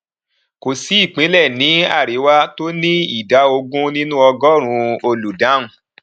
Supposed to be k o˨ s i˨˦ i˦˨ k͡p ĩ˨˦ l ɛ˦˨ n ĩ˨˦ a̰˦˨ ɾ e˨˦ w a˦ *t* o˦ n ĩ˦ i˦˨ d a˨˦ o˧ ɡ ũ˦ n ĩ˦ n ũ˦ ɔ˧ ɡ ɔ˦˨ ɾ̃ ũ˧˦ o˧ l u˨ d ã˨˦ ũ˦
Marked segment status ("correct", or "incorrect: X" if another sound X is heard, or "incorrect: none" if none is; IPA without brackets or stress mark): correct